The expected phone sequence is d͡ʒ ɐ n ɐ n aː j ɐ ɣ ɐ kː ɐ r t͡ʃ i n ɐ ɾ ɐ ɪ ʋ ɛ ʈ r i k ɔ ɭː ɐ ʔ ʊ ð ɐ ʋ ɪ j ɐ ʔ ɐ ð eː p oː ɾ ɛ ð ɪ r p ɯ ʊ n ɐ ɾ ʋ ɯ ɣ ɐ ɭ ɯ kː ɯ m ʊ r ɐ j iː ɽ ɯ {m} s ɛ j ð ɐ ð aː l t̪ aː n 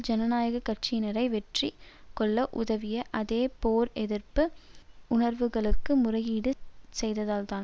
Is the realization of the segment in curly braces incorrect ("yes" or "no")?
yes